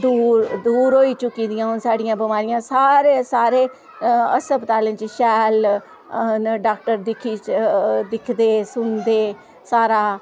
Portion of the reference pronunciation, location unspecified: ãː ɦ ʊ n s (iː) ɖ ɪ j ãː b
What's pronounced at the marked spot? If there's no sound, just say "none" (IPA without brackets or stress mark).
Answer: aː